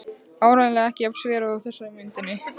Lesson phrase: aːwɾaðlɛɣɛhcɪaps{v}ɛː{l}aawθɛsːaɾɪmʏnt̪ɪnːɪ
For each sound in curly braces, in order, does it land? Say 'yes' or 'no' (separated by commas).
yes, no